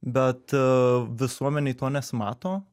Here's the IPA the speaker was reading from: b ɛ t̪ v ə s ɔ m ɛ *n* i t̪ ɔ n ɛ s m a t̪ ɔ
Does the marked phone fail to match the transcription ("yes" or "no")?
no